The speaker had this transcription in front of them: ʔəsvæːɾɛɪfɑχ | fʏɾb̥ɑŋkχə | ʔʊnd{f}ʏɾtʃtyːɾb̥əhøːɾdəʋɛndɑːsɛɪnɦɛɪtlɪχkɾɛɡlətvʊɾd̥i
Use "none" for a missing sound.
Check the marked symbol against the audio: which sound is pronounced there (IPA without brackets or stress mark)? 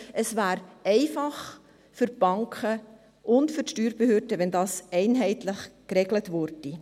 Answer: f